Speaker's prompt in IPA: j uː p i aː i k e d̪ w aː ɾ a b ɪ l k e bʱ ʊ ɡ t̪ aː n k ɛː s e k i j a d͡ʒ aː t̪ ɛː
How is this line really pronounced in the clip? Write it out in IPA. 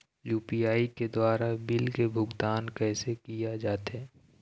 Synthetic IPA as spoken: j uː p i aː i k e d̪ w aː ɾ a b ɪ l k e bʱ ʊ ɡ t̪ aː n k ɛː s e k i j a d͡ʒ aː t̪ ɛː